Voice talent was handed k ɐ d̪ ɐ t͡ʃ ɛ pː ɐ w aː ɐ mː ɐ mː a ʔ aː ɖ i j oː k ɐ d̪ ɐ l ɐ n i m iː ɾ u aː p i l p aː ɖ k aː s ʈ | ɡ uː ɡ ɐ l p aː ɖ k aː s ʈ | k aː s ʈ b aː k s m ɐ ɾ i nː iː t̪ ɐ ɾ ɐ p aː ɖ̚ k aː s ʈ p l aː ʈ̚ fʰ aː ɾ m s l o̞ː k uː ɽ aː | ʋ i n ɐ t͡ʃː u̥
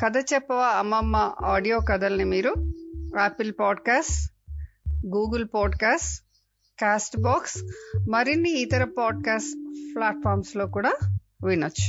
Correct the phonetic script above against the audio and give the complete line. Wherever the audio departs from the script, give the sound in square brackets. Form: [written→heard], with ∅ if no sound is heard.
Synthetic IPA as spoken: k ɐ d̪ ɐ t͡ʃ ɛ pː ɐ [w→ʋ] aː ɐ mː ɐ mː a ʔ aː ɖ i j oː k ɐ d̪ ɐ l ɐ n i m iː ɾ u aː p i l p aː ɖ k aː s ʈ | ɡ uː ɡ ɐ l p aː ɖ k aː s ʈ | k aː s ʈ b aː k s m ɐ ɾ i nː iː t̪ ɐ ɾ ɐ p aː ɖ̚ k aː s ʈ p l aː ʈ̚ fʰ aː ɾ m s l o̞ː k uː ɽ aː | ʋ i n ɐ t͡ʃː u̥